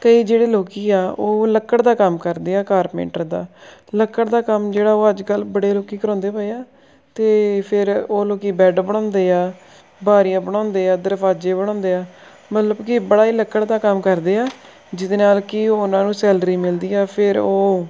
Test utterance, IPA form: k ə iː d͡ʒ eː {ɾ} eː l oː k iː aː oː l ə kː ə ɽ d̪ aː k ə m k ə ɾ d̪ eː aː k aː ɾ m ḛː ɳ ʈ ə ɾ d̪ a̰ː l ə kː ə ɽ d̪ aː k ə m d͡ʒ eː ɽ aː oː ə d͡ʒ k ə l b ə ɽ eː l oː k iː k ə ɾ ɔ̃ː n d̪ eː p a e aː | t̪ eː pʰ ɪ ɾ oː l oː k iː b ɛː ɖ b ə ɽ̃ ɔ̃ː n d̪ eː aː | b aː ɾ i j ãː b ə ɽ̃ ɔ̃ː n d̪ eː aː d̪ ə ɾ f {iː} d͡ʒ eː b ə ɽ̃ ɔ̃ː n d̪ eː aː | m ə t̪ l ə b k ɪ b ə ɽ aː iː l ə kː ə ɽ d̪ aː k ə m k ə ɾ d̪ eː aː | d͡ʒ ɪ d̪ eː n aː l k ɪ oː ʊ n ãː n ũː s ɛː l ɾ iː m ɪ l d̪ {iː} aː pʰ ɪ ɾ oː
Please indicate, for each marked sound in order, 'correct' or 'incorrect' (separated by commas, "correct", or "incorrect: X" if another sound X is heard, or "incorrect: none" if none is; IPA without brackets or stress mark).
incorrect: ɽ, incorrect: aː, correct